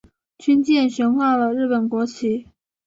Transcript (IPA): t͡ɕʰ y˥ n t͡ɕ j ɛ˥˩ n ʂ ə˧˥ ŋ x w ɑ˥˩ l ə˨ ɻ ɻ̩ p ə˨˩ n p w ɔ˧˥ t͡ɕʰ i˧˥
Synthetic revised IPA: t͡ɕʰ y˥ n t͡ɕ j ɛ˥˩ n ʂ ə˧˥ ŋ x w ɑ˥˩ l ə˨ ɻ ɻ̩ p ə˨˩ n k w ɔ˧˥ t͡ɕʰ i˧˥